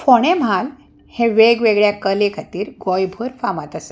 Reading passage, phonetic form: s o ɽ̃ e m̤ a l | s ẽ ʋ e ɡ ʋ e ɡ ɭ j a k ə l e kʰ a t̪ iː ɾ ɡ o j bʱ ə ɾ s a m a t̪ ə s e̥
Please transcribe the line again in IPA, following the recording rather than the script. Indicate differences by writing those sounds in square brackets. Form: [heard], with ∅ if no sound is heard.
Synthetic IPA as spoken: [f] o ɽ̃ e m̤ a l | [h] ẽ ʋ e ɡ ʋ e ɡ ɭ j a k ə l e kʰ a t̪ iː ɾ ɡ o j bʱ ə ɾ [f] a m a t̪ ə s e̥